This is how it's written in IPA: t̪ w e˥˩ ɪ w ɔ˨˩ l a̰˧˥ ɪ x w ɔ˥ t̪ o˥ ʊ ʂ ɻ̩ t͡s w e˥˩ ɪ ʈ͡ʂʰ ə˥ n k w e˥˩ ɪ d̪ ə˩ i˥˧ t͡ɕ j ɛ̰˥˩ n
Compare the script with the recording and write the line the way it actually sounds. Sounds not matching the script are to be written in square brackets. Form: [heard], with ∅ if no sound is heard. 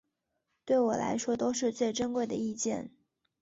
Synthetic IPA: t̪ w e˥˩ ɪ w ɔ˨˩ l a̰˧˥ ɪ [ʂ] w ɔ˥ t̪ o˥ ʊ ʂ ɻ̩ t͡s w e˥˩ ɪ [ʈ͡ʂ] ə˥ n k w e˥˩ ɪ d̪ ə˩ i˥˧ t͡ɕ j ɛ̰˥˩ n